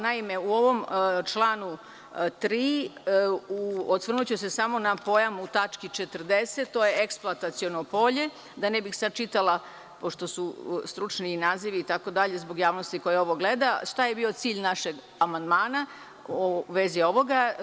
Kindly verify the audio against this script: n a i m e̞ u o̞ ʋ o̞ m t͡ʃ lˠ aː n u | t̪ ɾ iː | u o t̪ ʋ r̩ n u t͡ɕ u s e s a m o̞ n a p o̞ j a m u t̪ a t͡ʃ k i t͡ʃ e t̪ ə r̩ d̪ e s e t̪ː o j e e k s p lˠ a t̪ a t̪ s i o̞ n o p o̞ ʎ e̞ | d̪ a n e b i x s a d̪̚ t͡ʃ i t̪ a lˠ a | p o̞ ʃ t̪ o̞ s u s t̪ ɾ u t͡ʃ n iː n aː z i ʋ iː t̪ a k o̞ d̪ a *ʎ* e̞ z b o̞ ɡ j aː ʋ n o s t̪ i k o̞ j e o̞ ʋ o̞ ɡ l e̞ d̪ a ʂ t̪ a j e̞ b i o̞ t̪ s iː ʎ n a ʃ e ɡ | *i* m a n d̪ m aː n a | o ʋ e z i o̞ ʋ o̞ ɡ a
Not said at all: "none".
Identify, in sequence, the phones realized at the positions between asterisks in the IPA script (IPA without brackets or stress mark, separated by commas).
ʎ, a